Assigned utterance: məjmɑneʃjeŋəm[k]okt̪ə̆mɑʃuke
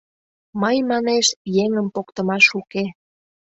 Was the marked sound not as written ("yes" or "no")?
yes